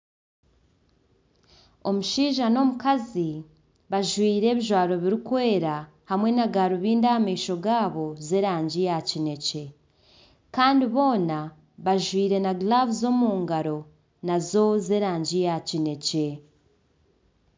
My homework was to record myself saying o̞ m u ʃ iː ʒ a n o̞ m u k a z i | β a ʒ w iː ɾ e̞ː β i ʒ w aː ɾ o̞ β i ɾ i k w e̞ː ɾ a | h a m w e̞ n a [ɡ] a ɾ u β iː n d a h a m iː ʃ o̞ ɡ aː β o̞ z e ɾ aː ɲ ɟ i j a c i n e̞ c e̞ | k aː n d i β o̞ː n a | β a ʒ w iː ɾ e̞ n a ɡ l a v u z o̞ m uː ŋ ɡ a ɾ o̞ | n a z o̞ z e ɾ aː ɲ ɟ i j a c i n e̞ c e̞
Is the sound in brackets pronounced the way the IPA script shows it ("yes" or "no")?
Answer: yes